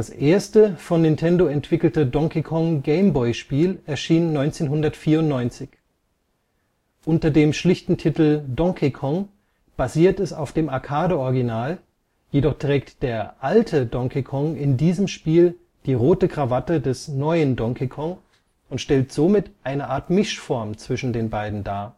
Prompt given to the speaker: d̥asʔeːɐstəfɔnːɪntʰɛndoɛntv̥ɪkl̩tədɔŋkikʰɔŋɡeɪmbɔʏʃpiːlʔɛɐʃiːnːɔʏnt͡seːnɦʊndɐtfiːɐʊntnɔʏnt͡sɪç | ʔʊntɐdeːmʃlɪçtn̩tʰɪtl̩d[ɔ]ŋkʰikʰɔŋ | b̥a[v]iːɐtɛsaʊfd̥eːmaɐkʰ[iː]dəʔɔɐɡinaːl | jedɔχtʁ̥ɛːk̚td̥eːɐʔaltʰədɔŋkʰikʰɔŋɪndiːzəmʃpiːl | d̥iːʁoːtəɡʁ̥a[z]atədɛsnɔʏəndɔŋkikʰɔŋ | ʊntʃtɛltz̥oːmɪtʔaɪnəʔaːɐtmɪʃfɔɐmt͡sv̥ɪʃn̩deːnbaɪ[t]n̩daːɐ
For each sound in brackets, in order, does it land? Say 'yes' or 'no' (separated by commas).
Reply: yes, no, no, no, no